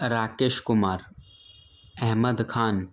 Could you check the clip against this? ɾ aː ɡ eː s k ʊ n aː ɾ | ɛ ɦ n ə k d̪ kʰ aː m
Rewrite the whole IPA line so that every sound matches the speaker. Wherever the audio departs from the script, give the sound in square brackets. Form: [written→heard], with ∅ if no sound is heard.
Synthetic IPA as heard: ɾ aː [ɡ→k] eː [s→ʃ] k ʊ [n→m] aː ɾ | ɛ ɦ [n→m] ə [k→∅] d̪ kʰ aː [m→n]